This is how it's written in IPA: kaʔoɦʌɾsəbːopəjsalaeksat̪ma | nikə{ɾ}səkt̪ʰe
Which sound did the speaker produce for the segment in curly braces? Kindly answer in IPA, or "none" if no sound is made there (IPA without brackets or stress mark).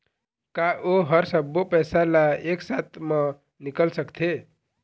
l